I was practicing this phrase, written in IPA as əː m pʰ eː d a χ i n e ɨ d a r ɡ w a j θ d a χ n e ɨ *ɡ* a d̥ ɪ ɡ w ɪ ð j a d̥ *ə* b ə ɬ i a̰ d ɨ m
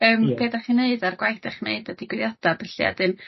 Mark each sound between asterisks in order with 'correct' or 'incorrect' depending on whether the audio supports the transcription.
incorrect, incorrect

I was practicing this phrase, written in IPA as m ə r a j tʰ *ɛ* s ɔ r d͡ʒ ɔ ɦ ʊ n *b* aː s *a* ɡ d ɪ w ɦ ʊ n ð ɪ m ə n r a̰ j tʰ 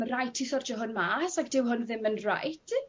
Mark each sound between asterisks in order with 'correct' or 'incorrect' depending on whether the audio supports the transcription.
incorrect, incorrect, correct

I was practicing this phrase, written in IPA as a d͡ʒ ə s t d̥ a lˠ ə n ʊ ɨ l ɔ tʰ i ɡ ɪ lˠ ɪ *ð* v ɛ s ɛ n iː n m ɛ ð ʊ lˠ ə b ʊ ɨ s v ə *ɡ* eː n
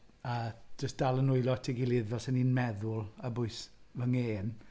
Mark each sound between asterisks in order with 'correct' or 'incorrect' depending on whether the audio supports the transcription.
correct, incorrect

